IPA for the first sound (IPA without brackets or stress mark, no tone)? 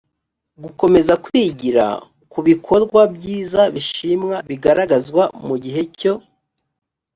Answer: ɡ